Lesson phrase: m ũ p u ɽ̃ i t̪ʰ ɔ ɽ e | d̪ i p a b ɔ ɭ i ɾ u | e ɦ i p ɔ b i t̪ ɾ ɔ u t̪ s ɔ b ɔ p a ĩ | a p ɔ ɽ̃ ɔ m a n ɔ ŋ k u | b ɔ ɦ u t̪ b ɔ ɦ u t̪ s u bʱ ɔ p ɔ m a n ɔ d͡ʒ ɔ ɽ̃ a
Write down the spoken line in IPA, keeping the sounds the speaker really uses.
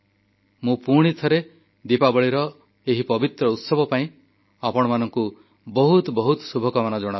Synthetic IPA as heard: m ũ p u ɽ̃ i t̪ʰ ɔ ɾ e | d̪ i p a b ɔ ɭ i ɾ ɔ | e ɦ i p ɔ b i t̪ ɾ ɔ u t̪ s ɔ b ɔ p a ĩ | a p ɔ ɽ̃ ɔ m a n ɔ ŋ k u | b ɔ ɦ u t̪ b ɔ ɦ u t̪ s u bʱ ɔ k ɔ m a n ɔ d͡ʒ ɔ ɽ̃ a